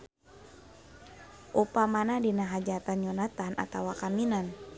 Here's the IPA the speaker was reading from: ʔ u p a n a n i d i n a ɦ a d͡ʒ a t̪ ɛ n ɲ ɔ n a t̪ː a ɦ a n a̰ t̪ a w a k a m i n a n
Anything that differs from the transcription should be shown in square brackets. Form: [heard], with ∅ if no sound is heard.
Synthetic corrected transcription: ʔ u p a [m] a n [a] d i n a ɦ a d͡ʒ a t̪ [a] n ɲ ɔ n a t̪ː a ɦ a n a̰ t̪ a w a k a m i n a n